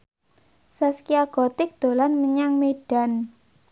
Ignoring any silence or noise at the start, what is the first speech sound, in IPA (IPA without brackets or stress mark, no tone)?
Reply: s